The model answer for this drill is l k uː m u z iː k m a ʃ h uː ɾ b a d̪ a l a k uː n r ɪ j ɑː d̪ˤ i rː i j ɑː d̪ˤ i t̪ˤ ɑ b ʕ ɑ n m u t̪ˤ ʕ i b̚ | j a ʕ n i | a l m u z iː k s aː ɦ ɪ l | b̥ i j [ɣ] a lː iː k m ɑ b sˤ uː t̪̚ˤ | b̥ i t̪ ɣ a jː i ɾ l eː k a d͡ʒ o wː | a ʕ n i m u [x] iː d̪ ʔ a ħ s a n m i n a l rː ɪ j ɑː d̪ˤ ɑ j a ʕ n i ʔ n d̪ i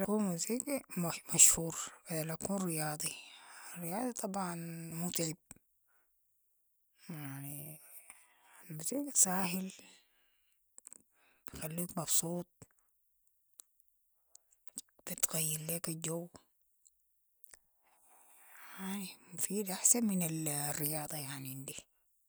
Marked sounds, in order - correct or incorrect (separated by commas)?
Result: incorrect, incorrect